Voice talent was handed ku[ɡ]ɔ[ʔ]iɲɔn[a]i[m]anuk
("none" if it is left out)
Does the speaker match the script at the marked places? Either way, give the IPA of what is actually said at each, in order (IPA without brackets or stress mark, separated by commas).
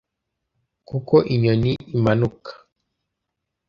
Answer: k, ʔ, i, m